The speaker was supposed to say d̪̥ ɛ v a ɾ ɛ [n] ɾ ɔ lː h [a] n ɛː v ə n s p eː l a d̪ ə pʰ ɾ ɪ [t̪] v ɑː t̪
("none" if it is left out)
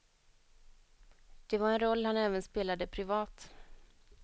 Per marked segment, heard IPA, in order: n, a, none

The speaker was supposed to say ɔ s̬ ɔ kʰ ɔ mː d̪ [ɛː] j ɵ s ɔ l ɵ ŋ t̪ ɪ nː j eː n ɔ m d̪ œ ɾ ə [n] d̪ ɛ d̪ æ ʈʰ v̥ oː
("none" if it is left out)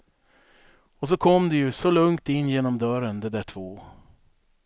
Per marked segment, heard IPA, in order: ɛ, n

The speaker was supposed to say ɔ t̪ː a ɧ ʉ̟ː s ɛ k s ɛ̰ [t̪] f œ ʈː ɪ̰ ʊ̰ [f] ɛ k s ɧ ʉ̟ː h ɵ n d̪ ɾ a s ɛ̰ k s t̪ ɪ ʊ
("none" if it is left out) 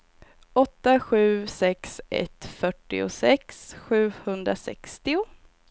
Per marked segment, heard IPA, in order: t̪, s

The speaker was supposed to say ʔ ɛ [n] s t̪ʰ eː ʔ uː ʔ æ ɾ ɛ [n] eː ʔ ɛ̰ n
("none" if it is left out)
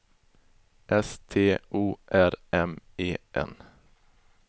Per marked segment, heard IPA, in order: none, m

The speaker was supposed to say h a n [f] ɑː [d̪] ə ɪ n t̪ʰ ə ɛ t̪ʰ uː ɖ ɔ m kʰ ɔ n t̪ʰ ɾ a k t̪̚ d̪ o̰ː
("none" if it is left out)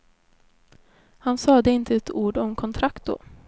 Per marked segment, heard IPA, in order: s, d̪

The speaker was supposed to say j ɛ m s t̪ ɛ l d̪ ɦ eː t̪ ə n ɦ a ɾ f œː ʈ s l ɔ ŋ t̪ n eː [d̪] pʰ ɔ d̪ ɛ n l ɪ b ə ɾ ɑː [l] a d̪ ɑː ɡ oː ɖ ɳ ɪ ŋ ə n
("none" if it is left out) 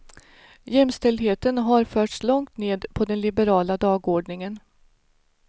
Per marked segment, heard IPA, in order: d̪, l

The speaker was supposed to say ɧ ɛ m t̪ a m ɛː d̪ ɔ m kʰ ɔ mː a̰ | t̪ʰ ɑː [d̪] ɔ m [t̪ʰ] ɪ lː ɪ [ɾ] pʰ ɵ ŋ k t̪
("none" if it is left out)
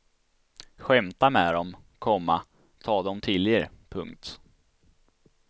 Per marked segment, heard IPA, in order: d̪, t̪ʰ, ɾ

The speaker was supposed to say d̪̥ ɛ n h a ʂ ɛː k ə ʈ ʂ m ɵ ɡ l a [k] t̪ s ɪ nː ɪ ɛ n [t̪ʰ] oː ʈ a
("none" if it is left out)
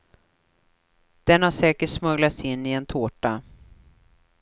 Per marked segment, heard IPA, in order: none, t̪ʰ

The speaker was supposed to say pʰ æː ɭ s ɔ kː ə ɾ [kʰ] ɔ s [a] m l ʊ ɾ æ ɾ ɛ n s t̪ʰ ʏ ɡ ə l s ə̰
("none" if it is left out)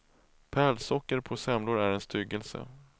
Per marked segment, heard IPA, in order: pʰ, ɛ

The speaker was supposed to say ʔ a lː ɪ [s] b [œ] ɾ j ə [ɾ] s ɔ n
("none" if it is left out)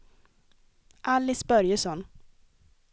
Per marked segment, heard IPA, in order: s, œ, none

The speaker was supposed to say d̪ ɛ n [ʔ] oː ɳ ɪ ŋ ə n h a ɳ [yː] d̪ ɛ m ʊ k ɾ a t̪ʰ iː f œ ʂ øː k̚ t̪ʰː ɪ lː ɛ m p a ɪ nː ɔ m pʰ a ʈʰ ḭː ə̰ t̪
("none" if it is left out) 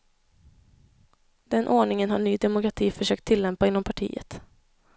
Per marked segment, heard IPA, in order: ʔ, yː

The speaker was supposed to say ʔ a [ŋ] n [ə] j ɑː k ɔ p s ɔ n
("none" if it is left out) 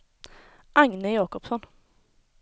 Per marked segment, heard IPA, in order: ŋ, ə

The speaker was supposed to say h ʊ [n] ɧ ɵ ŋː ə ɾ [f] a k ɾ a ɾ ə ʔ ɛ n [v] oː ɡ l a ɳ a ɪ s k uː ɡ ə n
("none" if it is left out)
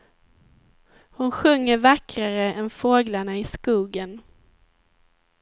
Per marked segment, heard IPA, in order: n, v, f

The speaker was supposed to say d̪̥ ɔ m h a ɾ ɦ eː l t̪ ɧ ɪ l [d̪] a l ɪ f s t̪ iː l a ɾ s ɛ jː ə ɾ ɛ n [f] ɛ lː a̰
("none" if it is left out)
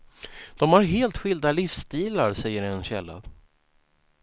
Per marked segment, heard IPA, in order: d̪, ɕ

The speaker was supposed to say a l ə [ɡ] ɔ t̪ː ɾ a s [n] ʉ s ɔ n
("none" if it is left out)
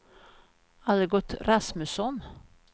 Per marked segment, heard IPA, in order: ɡ, m

